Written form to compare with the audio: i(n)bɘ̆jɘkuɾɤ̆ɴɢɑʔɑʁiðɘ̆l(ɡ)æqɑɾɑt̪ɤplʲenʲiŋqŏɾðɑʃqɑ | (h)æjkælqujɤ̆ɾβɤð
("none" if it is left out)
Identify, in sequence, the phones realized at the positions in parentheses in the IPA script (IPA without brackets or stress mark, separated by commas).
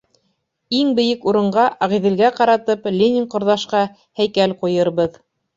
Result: ŋ, ɡ, h